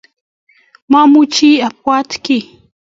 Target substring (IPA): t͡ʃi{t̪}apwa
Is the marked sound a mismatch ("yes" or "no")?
yes